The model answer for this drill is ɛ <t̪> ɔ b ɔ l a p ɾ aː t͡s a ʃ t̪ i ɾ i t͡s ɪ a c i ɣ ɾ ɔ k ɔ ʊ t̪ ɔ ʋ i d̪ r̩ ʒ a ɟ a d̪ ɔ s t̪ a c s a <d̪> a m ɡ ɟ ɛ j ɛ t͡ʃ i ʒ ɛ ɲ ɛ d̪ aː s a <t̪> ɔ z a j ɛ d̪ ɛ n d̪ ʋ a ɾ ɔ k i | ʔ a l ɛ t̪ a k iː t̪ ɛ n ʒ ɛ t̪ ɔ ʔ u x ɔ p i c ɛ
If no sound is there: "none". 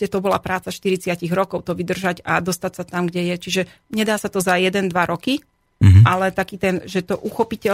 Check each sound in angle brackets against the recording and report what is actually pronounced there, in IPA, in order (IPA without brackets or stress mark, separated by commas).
t̪, t̪, t̪